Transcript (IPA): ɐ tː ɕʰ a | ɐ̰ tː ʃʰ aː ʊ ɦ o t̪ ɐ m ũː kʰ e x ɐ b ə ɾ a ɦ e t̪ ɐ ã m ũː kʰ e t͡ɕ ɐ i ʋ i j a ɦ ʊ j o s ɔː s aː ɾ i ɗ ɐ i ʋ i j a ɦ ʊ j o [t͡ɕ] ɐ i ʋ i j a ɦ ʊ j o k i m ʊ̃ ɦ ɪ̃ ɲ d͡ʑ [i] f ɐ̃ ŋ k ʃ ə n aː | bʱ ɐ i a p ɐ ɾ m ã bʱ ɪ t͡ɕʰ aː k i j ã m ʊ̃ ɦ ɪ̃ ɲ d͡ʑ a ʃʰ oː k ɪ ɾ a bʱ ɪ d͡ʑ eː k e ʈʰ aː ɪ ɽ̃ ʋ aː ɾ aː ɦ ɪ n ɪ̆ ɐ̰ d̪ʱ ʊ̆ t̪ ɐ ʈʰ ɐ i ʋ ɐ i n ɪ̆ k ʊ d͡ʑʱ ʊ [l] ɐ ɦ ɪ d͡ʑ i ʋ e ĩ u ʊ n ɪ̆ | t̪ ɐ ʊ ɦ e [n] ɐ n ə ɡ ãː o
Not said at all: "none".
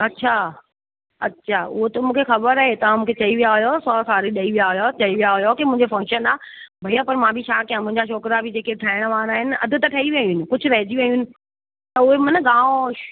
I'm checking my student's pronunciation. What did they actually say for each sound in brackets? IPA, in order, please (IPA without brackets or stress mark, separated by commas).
t͡ɕ, e, ɾ, m